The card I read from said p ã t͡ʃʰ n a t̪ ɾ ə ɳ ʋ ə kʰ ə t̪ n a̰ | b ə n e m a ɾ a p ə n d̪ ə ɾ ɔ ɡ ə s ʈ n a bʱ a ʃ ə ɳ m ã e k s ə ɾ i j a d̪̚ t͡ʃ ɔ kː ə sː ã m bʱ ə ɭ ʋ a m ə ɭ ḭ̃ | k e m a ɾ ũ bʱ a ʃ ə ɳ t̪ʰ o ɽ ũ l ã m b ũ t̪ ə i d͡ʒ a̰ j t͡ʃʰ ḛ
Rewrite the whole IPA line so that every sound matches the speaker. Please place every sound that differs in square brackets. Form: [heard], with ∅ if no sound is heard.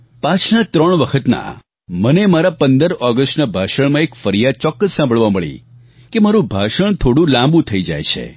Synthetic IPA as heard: p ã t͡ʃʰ n a t̪ ɾ ə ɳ ʋ ə kʰ ə t̪ n a̰ | [m] ə n e m a ɾ a p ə n d̪ ə ɾ ɔ ɡ ə s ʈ n a bʱ a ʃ ə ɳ m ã e k [f] ə ɾ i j a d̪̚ t͡ʃ ɔ kː ə sː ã m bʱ ə ɭ ʋ a m ə ɭ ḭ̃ | k e m a ɾ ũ bʱ a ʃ ə ɳ t̪ʰ o ɽ ũ l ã m b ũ [t̪ʰ] ə i d͡ʒ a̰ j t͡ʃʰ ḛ